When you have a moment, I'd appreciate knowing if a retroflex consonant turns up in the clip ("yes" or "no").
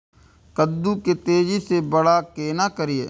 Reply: yes